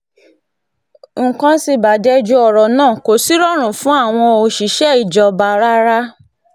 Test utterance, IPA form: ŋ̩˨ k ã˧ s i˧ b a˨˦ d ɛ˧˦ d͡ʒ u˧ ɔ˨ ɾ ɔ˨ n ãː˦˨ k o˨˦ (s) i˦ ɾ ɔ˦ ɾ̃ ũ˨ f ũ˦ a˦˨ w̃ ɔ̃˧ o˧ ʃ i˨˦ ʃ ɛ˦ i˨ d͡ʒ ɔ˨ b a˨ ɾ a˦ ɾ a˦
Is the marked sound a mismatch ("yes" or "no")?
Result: no